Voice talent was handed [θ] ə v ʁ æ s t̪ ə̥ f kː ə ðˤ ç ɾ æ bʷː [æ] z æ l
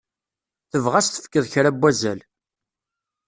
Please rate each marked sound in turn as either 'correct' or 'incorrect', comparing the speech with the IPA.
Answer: correct, correct

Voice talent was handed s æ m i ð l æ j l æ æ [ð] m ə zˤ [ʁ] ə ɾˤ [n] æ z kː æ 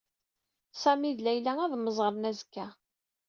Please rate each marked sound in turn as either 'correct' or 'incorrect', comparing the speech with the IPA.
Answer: correct, correct, correct

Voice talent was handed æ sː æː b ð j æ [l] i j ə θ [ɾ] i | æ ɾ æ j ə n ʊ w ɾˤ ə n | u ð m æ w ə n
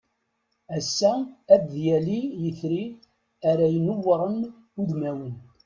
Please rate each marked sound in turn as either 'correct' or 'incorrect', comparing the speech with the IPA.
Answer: correct, correct

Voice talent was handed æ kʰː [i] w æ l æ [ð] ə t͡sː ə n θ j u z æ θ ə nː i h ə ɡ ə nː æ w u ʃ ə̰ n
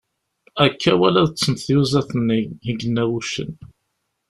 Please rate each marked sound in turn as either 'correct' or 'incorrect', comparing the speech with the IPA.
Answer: incorrect: æ, correct

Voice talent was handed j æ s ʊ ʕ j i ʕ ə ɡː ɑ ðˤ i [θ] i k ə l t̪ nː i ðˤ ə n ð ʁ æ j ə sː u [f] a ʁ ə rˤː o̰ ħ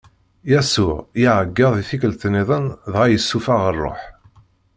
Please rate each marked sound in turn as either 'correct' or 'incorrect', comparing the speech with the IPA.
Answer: correct, correct

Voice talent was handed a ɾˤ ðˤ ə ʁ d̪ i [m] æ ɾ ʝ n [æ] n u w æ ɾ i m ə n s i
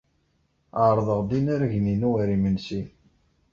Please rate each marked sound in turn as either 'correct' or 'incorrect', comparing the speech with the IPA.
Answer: incorrect: n, incorrect: i

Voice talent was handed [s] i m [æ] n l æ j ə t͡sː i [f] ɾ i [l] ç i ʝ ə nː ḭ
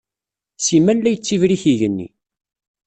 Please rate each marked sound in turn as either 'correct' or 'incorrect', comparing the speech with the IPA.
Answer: correct, correct, incorrect: v, incorrect: none

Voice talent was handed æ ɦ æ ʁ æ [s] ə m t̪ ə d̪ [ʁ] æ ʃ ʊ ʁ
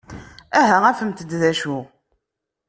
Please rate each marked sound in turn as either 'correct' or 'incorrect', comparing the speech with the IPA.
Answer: incorrect: f, incorrect: ð

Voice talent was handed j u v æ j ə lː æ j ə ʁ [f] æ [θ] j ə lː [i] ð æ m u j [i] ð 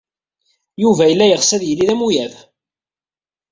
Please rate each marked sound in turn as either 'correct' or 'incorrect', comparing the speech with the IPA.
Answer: incorrect: s, incorrect: ð, correct, incorrect: æ

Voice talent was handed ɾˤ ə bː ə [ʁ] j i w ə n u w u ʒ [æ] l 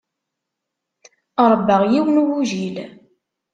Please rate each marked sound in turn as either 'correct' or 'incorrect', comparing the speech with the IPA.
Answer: correct, incorrect: i

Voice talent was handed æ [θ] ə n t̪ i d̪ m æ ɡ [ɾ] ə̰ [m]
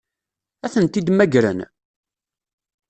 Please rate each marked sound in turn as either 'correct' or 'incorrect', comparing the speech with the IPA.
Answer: correct, correct, incorrect: n

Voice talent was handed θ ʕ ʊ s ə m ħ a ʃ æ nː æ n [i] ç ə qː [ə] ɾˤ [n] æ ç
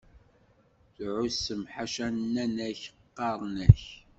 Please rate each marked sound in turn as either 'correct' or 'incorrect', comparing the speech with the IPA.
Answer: incorrect: æ, incorrect: ɑ, correct

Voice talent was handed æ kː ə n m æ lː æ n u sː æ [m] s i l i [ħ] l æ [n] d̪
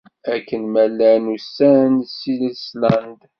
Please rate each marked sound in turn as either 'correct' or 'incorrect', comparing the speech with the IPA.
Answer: incorrect: n, incorrect: s, correct

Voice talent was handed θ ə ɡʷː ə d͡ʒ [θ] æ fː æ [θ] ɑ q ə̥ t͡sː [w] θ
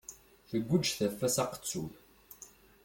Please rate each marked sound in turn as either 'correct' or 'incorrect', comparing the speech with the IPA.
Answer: correct, incorrect: s, incorrect: u

